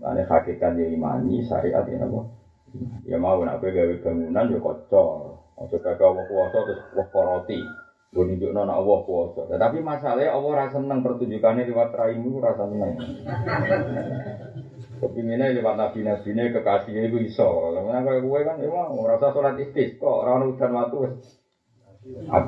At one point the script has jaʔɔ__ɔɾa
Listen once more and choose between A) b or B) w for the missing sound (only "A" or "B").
B